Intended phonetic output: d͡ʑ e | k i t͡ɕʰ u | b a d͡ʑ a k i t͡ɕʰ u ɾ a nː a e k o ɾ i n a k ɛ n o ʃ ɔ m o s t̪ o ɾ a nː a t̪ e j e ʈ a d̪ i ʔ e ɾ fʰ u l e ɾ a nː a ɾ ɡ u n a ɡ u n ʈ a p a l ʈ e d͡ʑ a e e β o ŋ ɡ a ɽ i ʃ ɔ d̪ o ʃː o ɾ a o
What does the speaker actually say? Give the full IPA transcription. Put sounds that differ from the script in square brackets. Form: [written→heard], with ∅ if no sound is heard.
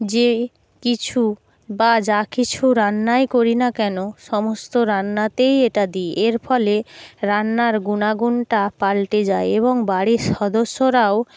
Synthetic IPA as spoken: d͡ʑ e | k i t͡ɕʰ u | b a d͡ʑ a k i t͡ɕʰ u ɾ a nː a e k o ɾ i n a k ɛ n o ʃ ɔ m o s t̪ o ɾ a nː a t̪ e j e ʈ a d̪ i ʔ e ɾ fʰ [u→ɔ] l e ɾ a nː a ɾ ɡ u n a ɡ u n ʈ a p a l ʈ e d͡ʑ a e e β o ŋ [ɡ→b] a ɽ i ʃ ɔ d̪ o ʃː o ɾ a o